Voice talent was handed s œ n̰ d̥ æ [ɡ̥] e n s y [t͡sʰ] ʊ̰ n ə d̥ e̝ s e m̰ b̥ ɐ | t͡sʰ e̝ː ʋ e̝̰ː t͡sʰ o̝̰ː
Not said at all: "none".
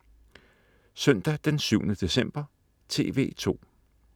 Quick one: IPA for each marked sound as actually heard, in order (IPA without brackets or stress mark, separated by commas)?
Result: d̥, none